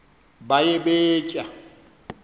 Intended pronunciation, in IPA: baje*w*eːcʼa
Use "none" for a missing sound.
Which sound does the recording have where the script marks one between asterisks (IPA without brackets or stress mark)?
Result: b